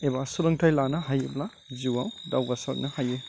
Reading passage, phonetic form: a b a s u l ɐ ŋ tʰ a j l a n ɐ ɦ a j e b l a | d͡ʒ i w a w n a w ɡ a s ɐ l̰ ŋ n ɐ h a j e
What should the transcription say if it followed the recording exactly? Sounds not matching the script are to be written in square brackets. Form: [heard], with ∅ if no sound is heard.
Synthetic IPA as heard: [e] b a s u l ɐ ŋ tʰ a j l a n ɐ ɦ a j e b l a | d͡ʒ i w a w [d] a w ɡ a s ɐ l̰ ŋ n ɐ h a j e